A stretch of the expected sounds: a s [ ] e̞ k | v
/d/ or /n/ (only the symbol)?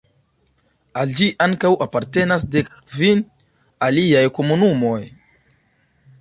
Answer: d